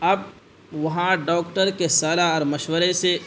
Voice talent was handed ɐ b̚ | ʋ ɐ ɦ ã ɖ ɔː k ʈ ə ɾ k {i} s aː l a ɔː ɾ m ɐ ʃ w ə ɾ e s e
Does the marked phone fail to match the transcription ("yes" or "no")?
yes